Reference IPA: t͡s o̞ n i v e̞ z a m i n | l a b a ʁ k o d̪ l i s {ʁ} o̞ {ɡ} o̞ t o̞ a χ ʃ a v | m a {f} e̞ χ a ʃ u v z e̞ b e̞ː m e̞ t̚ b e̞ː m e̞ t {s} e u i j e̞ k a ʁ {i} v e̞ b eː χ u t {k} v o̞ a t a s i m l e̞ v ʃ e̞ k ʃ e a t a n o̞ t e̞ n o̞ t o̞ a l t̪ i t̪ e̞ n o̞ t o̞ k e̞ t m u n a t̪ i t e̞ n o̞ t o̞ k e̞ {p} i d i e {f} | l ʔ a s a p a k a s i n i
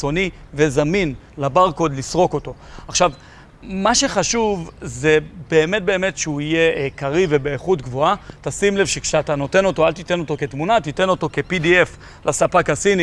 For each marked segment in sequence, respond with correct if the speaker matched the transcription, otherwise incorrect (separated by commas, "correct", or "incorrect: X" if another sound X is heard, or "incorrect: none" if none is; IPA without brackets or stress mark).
correct, incorrect: k, incorrect: ʃ, incorrect: ʃ, correct, incorrect: ɡ, correct, correct